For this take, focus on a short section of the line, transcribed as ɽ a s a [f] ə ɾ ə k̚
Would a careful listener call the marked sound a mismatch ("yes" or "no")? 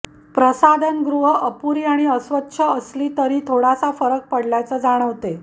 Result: no